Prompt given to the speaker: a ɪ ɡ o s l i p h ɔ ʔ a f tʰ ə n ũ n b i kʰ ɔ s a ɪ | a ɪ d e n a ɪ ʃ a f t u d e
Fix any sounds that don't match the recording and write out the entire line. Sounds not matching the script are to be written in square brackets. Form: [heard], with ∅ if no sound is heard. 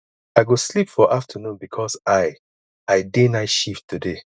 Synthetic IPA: a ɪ ɡ o s l i p [f] ɔ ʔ a f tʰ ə n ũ n b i kʰ ɔ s a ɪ | a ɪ d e n a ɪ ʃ [i] f t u d e